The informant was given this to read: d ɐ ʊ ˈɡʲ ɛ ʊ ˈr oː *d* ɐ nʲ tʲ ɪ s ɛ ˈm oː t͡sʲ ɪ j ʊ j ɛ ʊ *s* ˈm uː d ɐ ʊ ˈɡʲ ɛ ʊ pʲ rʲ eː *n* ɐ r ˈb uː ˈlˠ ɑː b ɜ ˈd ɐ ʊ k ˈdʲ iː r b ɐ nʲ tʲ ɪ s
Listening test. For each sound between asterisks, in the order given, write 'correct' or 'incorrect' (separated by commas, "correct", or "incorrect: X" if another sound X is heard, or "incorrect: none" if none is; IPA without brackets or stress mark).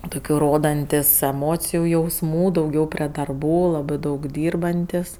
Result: correct, correct, incorrect: d